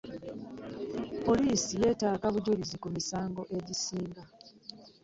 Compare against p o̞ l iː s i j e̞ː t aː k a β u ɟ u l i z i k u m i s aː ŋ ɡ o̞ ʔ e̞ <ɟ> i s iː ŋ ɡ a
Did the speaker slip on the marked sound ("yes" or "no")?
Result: no